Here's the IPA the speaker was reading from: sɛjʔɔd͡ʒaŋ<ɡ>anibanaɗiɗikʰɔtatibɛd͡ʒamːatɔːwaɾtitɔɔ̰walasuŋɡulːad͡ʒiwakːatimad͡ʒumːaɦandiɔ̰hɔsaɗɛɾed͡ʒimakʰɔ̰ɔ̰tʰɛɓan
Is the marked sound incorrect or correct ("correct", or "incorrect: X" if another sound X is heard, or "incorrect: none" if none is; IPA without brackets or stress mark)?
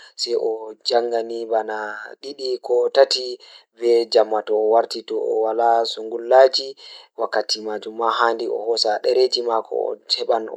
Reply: correct